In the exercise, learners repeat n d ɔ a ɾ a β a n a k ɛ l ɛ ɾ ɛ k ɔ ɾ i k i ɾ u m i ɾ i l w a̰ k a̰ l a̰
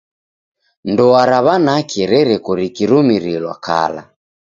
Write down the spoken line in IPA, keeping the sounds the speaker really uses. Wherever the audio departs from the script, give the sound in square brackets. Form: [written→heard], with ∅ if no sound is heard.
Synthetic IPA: n d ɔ a ɾ a β a n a k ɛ [l→ɾ] ɛ ɾ ɛ k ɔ ɾ i k i ɾ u m i ɾ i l w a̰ k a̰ l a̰